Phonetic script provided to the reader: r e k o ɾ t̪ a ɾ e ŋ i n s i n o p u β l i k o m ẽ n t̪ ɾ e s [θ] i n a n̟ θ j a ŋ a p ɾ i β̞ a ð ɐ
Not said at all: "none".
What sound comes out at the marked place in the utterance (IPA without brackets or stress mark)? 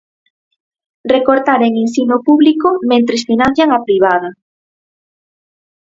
f